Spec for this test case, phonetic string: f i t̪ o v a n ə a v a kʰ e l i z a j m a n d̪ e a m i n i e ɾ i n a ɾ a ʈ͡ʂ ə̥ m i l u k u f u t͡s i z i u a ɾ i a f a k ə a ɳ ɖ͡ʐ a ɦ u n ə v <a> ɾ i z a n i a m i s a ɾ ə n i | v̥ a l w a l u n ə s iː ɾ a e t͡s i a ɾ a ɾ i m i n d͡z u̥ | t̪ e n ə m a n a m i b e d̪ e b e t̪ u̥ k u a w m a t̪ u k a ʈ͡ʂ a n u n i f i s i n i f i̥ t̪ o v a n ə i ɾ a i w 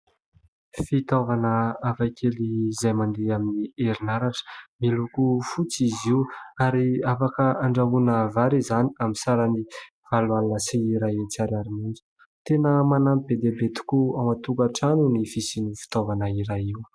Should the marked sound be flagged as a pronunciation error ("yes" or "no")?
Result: no